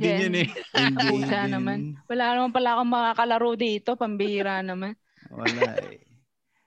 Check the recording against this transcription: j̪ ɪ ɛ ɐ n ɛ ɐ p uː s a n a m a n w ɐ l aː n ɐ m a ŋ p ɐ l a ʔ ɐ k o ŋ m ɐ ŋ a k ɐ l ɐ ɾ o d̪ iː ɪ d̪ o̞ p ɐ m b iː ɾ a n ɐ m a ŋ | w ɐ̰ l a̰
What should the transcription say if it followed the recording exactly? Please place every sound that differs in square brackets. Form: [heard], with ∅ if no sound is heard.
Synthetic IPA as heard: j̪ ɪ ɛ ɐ n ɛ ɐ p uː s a n [ɐ] m a n w ɐ l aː n ɐ m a [n] p ɐ l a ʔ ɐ k o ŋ m ɐ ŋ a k ɐ l ɐ ɾ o d̪ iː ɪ [t̪] o̞ p ɐ m b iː ɾ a n ɐ m a [n] | w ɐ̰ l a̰